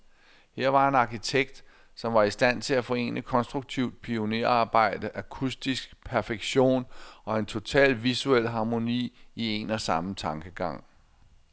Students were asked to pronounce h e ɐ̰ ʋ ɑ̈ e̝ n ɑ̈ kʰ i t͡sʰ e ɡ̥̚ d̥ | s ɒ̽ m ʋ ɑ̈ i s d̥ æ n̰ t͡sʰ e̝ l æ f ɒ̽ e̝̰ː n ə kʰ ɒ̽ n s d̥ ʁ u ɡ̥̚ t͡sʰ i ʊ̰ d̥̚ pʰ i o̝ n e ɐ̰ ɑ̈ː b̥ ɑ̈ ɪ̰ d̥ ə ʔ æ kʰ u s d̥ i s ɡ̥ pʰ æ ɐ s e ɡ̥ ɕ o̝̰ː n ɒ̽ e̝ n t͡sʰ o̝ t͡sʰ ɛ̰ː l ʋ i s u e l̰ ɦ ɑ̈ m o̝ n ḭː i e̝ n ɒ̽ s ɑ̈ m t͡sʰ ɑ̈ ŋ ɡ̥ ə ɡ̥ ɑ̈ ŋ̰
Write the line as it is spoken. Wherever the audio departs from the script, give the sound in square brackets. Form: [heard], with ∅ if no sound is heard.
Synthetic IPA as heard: h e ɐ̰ ʋ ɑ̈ e̝ n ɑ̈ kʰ i t͡sʰ e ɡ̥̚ d̥ | s ɒ̽ m ʋ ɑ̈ i s d̥ æ n̰ t͡sʰ e̝ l æ f ɒ̽ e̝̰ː n ə kʰ ɒ̽ n s d̥ ʁ u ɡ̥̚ t͡sʰ i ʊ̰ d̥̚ pʰ i o̝ n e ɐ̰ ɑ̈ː b̥ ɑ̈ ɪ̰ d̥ ə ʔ æ kʰ u s d̥ i s ɡ̥ pʰ æ ɐ [f] e ɡ̥ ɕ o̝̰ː n ɒ̽ e̝ n t͡sʰ o̝ t͡sʰ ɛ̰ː l ʋ i s u e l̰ ɦ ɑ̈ m o̝ n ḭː i e̝ n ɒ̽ s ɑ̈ m t͡sʰ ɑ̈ ŋ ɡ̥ ə ɡ̥ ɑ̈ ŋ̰